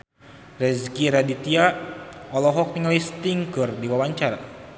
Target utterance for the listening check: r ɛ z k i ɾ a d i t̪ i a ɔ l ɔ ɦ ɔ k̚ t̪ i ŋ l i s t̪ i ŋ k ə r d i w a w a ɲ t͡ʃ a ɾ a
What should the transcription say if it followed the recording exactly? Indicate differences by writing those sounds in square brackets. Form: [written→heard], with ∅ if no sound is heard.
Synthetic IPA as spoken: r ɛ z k i ɾ a d i t̪ i a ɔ l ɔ ɦ ɔ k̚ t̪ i ŋ l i s t̪ i ŋ k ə r d i w a w a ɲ t͡ʃ a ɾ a